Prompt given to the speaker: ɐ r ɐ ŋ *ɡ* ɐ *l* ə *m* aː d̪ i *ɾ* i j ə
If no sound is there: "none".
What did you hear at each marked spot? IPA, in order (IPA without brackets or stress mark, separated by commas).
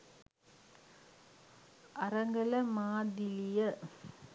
ɡ, l, m, l